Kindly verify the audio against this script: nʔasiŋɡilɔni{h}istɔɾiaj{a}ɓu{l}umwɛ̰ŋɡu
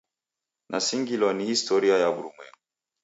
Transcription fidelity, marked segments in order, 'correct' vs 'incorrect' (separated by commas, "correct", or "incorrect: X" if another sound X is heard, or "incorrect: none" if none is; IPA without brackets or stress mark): correct, correct, incorrect: ɾ